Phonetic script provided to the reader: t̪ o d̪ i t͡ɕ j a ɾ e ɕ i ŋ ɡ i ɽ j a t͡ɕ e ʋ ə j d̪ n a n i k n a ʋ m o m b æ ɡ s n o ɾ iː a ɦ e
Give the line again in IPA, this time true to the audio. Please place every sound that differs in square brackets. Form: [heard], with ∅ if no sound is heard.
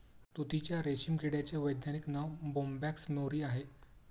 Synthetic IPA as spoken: t̪ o [t̪] i t͡ɕ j a ɾ e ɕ i [m] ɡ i ɽ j a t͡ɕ e ʋ ə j d̪ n a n i k n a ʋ [b] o m b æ [k] s n o ɾ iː a ɦ e